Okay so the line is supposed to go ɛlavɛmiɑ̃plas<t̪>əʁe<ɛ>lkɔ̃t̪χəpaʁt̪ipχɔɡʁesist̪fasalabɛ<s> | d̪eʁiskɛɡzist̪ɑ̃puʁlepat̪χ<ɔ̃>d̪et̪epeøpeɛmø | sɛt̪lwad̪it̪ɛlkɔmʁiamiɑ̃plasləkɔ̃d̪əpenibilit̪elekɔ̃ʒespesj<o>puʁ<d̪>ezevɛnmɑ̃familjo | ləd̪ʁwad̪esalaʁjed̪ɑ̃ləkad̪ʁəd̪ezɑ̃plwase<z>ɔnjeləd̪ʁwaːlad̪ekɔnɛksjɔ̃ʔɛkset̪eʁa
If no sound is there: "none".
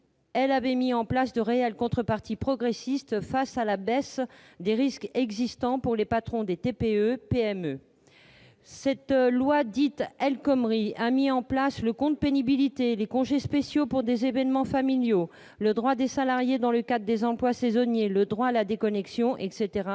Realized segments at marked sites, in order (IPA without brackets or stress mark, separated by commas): d̪, ɛ, s, ɔ̃, o, d̪, z